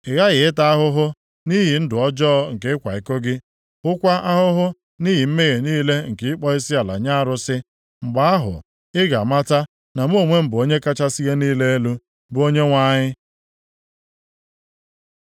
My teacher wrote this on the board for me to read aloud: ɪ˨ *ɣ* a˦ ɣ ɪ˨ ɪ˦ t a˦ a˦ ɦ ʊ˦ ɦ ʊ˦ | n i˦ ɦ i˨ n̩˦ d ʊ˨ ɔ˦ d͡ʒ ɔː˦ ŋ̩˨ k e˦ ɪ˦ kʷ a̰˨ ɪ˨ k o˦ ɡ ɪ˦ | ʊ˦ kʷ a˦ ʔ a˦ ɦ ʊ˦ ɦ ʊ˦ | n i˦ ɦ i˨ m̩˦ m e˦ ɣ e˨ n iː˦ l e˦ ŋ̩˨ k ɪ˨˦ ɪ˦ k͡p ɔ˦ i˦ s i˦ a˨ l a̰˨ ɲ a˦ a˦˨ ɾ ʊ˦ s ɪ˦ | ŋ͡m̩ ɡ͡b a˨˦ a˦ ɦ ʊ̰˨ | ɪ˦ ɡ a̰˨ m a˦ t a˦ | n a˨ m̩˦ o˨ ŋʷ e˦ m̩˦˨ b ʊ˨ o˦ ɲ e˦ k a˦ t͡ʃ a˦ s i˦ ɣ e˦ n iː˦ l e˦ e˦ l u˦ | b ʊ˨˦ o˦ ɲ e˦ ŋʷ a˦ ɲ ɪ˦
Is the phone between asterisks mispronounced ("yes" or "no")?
no